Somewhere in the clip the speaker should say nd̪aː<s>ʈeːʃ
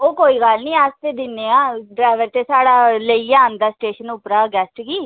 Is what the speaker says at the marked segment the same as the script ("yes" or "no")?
yes